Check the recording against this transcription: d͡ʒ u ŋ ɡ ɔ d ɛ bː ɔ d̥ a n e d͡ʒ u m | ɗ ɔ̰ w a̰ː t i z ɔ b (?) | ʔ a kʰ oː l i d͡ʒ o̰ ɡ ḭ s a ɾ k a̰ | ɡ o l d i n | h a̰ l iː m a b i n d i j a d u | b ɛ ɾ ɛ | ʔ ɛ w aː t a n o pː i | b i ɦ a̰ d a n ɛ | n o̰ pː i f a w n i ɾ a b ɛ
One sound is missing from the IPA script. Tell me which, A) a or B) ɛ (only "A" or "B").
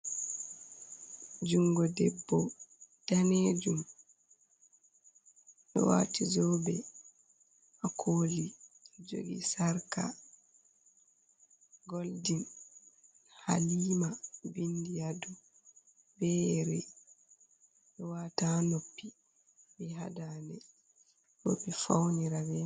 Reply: B